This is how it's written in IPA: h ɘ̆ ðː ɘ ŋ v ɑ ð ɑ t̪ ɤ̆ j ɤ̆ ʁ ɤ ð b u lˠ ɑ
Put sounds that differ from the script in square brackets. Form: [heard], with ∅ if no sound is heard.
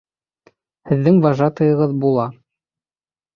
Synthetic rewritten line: h ɘ̆ ðː ɘ ŋ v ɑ [ʒ] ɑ t̪ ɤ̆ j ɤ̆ ʁ ɤ ð b u lˠ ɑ